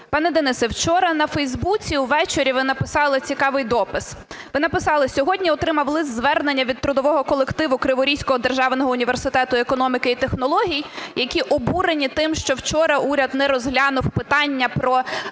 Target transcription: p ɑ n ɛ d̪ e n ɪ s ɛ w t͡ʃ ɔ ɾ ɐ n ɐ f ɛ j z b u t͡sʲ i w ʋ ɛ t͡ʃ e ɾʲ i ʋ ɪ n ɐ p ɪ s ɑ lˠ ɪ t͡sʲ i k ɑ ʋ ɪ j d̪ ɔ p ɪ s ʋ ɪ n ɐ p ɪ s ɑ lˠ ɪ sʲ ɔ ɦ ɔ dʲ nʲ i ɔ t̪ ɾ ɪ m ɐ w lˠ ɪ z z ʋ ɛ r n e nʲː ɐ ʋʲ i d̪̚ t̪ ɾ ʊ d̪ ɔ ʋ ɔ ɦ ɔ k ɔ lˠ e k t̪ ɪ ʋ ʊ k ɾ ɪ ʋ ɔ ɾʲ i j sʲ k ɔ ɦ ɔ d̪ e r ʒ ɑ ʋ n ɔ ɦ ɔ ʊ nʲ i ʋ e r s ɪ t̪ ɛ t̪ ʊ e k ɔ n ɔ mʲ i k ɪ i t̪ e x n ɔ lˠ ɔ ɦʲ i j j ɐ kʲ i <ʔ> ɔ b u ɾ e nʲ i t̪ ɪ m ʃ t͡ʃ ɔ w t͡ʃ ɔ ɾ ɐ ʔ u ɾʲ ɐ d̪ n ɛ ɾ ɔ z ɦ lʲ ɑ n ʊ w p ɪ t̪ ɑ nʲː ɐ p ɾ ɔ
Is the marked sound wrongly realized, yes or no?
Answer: no